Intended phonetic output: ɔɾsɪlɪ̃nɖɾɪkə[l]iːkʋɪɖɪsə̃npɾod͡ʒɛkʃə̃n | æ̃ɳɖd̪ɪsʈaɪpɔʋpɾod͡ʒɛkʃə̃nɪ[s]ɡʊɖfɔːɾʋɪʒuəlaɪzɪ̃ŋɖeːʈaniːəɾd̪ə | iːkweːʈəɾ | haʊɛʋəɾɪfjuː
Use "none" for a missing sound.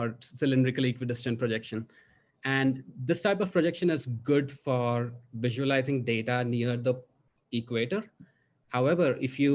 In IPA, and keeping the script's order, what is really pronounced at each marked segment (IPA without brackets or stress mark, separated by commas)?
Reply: l, z